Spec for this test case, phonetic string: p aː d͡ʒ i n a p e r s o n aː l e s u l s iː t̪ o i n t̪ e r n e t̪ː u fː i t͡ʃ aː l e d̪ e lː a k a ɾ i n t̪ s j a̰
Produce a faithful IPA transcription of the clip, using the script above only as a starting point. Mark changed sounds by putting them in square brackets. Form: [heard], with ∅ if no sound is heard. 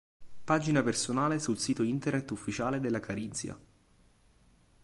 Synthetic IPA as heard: p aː d͡ʒ i n a p e r s o n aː l e s u l s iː t̪ o i n t̪ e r n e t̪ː u fː i t͡ʃ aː l e d̪ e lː a k a ɾ i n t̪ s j a̰

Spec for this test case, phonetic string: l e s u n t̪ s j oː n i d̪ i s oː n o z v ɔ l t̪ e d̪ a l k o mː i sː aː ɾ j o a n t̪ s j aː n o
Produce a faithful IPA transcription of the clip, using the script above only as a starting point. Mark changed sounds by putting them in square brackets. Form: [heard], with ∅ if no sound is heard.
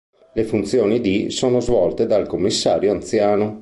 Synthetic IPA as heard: l e [f] u n t̪ s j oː n i d̪ i s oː n o z v ɔ l t̪ e d̪ a l k o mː i sː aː ɾ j o a n t̪ s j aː n o

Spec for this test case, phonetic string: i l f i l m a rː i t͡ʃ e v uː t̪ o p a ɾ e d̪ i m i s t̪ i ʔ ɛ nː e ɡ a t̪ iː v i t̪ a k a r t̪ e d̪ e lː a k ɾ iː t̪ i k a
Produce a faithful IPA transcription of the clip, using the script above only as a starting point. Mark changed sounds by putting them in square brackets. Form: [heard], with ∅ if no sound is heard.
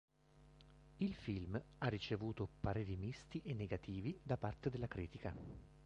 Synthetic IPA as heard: i l f i l m a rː i t͡ʃ e v uː t̪ o p a ɾ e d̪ i m i s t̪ i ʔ [e] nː e ɡ a t̪ iː v i [d̪] a [p] a r t̪ e d̪ e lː a k ɾ iː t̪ i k a

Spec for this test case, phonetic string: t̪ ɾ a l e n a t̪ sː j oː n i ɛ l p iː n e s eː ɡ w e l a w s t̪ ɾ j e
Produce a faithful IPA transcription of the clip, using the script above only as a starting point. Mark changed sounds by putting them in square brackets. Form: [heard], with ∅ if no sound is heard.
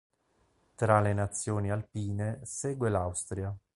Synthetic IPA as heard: t̪ ɾ a l e n a t̪ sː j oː n i [a] l p iː n e s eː ɡ w e l a w s t̪ ɾ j [a]

